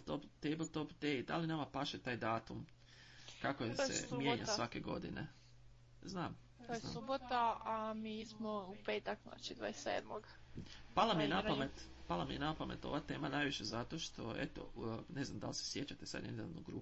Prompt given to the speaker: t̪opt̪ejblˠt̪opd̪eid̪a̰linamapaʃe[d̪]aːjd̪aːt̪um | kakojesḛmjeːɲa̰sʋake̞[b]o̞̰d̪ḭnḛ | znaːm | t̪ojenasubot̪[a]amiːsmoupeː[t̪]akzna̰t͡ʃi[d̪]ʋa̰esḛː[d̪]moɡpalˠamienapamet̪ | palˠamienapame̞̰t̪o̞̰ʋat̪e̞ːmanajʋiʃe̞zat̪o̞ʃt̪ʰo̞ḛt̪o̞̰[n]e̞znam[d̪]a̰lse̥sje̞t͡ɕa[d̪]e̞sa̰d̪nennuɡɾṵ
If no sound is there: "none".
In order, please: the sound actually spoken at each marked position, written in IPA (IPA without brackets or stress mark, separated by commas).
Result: t̪, ɡ, a, t̪, d̪, d̪, n, d̪, t̪